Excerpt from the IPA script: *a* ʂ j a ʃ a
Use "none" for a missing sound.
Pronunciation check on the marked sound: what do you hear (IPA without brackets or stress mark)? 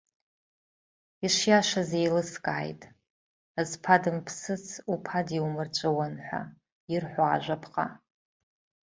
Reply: i